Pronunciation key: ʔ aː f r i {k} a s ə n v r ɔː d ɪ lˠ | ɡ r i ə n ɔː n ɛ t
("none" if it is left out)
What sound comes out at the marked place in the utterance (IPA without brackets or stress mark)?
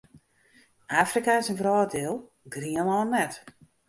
k